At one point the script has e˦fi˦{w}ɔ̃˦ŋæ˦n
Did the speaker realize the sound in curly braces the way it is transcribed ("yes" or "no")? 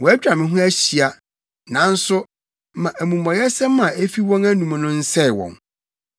yes